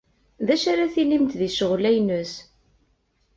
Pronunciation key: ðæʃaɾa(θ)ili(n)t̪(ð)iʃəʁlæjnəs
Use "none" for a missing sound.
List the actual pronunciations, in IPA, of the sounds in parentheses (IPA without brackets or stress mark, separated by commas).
θ, m, ð